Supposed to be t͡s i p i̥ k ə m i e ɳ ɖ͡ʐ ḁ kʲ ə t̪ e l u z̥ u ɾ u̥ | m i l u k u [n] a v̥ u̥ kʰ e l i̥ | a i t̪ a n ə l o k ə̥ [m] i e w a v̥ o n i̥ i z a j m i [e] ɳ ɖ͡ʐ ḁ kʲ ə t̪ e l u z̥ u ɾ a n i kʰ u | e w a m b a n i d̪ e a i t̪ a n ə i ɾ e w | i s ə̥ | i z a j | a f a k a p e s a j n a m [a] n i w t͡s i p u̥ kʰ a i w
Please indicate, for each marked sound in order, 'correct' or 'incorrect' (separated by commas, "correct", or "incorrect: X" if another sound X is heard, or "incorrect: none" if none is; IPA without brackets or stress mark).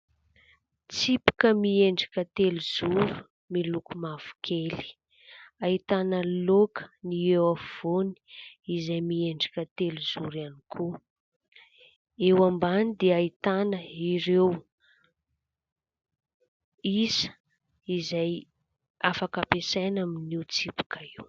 incorrect: m, incorrect: n, correct, incorrect: i